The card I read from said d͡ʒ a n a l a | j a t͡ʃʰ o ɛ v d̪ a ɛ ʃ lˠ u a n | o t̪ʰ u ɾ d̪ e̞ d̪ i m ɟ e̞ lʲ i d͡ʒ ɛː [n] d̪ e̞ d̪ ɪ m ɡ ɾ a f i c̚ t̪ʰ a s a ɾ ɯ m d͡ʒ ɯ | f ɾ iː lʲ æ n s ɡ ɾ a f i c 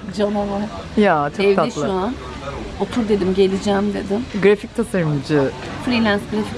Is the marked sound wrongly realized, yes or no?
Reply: yes